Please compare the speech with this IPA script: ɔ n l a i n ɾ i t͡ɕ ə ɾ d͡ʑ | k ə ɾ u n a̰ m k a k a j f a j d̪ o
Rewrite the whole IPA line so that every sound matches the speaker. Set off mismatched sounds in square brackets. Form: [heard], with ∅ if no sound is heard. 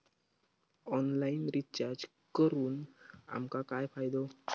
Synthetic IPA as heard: ɔ n l a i n ɾ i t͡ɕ [a] ɾ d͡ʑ | k ə ɾ [uː] n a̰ m k a k a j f a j d̪ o